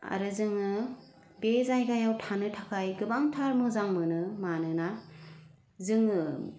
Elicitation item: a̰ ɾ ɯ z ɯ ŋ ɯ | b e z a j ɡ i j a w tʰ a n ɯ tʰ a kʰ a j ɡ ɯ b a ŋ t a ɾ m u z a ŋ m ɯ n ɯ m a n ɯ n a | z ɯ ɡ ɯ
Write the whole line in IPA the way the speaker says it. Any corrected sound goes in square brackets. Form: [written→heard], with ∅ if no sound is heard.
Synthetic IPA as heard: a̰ ɾ ɯ z ɯ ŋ ɯ | b e z a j ɡ [i→a] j a w tʰ a n ɯ tʰ a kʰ a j ɡ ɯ b a ŋ [t→tʰ] a ɾ m [u→ɯ] z a ŋ m ɯ n ɯ m a n ɯ n a | z ɯ [ɡ→ŋ] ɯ